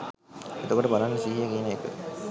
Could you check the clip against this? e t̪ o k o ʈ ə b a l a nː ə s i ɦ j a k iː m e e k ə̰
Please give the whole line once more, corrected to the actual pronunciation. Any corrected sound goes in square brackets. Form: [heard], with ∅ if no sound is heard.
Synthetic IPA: e t̪ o k o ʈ ə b a l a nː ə s i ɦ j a k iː [n] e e k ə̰